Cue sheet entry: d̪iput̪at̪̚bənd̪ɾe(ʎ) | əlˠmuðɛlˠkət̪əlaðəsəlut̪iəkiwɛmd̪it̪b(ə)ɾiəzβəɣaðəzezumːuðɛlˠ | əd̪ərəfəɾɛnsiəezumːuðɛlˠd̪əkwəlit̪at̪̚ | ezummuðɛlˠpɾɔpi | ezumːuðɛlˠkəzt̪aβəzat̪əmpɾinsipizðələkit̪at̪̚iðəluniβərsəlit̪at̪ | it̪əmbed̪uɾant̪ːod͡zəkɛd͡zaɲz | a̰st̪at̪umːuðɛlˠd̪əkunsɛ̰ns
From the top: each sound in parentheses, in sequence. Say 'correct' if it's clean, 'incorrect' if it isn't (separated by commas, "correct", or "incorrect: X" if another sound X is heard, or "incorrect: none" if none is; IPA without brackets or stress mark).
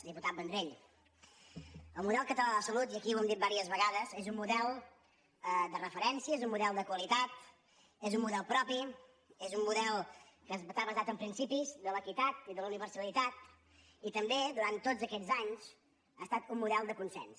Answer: correct, incorrect: a